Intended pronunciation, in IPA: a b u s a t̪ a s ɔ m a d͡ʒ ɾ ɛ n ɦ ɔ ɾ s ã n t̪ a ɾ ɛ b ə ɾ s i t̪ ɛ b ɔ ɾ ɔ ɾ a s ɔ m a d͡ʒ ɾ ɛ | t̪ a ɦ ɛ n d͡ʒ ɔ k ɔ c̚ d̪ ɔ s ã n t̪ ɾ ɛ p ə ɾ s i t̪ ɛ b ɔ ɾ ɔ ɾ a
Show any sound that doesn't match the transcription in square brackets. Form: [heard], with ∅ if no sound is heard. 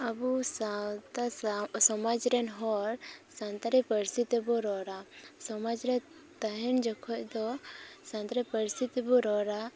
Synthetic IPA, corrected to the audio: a b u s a t̪ a s ɔ m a d͡ʒ ɾ ɛ n ɦ ɔ ɾ s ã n t̪ a ɾ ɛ [p] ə ɾ s i t̪ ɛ b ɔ ɾ ɔ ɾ a s ɔ m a d͡ʒ ɾ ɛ | t̪ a ɦ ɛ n d͡ʒ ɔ [kʰ] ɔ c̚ d̪ ɔ s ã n t̪ ɾ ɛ p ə ɾ s i t̪ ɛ b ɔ ɾ ɔ ɾ a